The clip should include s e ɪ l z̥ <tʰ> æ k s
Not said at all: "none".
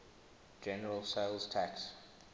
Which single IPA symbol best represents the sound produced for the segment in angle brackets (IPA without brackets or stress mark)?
tʰ